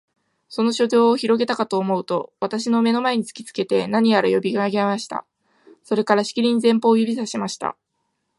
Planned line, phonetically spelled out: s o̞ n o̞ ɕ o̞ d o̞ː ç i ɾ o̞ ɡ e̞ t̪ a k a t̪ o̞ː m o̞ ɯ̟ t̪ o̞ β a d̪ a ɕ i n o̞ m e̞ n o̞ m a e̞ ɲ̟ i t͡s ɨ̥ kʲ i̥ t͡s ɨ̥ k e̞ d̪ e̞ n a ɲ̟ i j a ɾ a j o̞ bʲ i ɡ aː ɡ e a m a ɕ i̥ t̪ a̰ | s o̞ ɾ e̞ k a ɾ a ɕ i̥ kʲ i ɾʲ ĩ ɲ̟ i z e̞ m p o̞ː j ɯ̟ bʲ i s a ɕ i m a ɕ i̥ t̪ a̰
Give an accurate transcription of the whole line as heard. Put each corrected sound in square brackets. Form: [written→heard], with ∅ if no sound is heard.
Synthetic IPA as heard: s o̞ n o̞ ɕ o̞ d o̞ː ç i ɾ o̞ ɡ e̞ t̪ a k a t̪ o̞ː m o̞ ɯ̟ t̪ o̞ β a [d̪→t̪] a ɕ i n o̞ m e̞ n o̞ m a e̞ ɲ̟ i t͡s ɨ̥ kʲ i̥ t͡s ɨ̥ k e̞ [d̪→t̪] e̞ n a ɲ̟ i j a ɾ a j o̞ bʲ i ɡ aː ɡ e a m a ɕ i̥ t̪ a̰ | s o̞ ɾ e̞ k a ɾ a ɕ i̥ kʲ i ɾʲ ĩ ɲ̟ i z [e̞→ẽ̞] m p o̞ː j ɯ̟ bʲ i s a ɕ i m a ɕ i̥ t̪ a̰

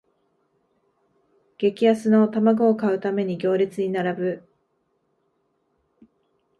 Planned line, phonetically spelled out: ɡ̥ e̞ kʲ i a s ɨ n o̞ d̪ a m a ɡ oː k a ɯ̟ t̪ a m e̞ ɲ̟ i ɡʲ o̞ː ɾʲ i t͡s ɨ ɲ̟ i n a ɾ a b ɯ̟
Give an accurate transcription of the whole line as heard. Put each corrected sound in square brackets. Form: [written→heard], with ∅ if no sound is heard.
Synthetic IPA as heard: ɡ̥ e̞ kʲ i a s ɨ n o̞ [d̪→t̪] a m a ɡ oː k a ɯ̟ t̪ a m e̞ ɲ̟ i ɡʲ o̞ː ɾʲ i t͡s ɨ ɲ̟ i n a ɾ a b ɯ̟

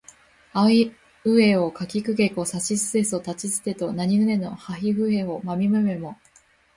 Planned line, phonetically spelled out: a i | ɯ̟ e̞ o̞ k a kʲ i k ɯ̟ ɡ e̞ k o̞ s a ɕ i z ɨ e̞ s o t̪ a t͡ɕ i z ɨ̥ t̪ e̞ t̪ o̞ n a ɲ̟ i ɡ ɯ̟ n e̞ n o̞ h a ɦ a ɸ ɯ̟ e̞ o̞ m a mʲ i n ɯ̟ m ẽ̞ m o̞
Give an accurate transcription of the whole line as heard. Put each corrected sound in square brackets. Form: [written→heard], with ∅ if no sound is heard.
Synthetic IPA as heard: a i | ɯ̟ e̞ o̞ k a kʲ i k ɯ̟ ɡ e̞ k o̞ s a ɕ i [z→s] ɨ e̞ s o t̪ a t͡ɕ i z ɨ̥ t̪ e̞ t̪ o̞ n a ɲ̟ i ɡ ɯ̟ n e̞ n o̞ h a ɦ [a→i] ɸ ɯ̟ e̞ o̞ m a mʲ i [n→m] ɯ̟ m [ẽ̞→e̞] m o̞

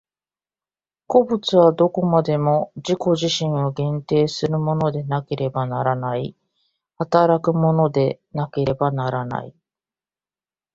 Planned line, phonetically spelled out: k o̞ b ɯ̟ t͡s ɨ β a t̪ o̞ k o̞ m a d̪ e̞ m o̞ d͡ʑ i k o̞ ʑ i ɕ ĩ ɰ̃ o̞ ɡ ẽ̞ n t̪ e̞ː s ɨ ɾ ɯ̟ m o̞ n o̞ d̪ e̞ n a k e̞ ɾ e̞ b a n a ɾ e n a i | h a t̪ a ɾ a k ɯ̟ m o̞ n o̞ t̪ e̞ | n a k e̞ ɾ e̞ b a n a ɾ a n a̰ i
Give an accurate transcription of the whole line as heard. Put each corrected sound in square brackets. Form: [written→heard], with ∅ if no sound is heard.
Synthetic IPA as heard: k o̞ b ɯ̟ t͡s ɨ β a [t̪→d̪] o̞ k o̞ m a d̪ e̞ m o̞ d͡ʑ i k o̞ ʑ i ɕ ĩ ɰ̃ o̞ ɡ ẽ̞ n t̪ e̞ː s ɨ ɾ ɯ̟ m o̞ n o̞ d̪ e̞ n a k e̞ ɾ e̞ b a n a ɾ [e→a] n a i | h a t̪ a ɾ a k ɯ̟ m o̞ n o̞ [t̪→d̪] e̞ | n a k e̞ ɾ e̞ b a n a ɾ a n a̰ i

